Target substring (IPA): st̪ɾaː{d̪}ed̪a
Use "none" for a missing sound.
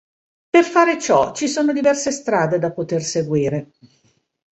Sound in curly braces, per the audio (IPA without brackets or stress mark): d̪